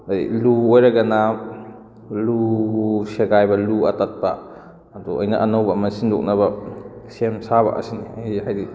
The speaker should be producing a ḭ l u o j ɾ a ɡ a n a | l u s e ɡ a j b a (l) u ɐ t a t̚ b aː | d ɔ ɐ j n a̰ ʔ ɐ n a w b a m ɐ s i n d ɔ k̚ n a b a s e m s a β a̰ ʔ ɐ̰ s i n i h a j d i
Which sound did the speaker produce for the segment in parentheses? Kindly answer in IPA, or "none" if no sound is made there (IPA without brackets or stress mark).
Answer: l